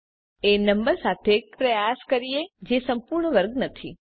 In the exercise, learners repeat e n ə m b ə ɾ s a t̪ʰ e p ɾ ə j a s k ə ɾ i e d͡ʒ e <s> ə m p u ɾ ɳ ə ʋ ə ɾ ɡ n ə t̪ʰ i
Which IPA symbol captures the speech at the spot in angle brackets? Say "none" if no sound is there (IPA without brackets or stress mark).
s